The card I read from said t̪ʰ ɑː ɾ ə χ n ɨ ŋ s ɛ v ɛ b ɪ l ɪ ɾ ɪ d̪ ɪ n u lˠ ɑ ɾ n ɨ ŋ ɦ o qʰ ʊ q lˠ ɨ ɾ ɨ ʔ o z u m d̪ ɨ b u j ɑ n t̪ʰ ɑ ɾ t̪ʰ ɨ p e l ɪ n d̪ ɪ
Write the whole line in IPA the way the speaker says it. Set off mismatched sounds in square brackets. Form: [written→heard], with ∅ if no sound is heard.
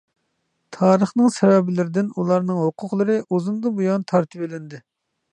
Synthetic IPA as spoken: t̪ʰ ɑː ɾ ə χ n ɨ ŋ s ɛ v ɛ b ɪ l ɪ ɾ ɪ d̪ ɪ n u lˠ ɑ ɾ n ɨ ŋ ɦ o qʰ ʊ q lˠ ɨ ɾ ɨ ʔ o z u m d̪ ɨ b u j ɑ n t̪ʰ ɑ ɾ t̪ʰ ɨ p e l ɪ n d̪ ɪ